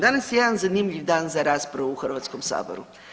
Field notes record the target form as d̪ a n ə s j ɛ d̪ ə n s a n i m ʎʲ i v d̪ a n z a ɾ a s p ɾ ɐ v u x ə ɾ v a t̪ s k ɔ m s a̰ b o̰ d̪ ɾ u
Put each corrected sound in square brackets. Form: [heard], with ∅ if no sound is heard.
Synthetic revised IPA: d̪ a n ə s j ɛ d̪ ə n [z] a n i m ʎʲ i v d̪ a n z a ɾ a s p ɾ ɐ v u x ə ɾ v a t̪ s k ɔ m s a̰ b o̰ [∅] ɾ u